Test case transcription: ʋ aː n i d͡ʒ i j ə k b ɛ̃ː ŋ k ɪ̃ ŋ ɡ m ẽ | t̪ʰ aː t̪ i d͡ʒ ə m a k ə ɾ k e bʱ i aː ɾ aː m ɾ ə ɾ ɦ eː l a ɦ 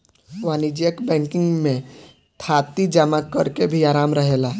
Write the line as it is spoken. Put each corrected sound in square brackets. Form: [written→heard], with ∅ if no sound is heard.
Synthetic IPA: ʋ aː n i d͡ʒ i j ə k b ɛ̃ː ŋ k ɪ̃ ŋ ɡ m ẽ | t̪ʰ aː t̪ i d͡ʒ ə m a k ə ɾ k e bʱ i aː ɾ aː m ɾ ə [ɾ→∅] ɦ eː l a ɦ